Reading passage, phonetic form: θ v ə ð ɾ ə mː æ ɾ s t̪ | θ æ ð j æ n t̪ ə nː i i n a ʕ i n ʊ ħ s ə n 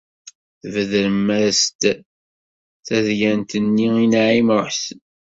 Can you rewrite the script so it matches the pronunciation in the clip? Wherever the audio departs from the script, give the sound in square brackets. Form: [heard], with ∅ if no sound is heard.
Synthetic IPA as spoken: θ v ə ð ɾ ə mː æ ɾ s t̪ | θ æ ð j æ n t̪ ə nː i i n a ʕ i [m] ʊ ħ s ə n